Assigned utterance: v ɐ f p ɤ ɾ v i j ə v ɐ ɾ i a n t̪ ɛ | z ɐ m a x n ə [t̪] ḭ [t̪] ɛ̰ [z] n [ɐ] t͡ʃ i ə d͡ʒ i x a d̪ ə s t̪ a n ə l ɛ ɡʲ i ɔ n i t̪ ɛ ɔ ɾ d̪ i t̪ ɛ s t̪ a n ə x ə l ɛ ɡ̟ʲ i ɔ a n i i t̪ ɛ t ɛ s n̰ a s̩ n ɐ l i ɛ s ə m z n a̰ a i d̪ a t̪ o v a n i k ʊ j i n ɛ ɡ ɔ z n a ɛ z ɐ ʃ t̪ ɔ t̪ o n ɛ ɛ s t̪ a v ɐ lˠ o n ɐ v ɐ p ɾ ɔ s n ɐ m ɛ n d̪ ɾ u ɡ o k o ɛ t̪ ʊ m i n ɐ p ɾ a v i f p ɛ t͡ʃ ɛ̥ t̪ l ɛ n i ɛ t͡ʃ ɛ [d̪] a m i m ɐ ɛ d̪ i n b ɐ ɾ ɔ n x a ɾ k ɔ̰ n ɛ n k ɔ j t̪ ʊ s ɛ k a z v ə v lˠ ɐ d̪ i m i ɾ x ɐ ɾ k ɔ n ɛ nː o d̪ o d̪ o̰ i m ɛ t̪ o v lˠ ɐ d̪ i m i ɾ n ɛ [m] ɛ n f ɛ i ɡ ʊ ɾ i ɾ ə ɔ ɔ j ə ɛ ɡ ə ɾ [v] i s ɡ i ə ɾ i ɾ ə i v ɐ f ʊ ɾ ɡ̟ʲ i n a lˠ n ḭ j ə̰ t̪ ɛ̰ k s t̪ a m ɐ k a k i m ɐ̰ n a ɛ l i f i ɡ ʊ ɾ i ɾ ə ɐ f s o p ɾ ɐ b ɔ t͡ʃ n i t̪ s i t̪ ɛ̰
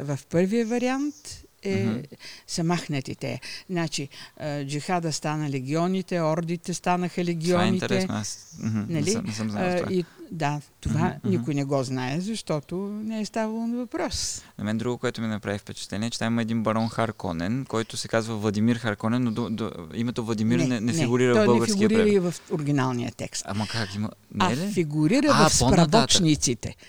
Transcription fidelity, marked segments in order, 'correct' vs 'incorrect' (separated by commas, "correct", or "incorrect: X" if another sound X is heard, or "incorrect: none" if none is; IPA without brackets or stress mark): correct, correct, correct, incorrect: a, incorrect: t̪, incorrect: n, incorrect: f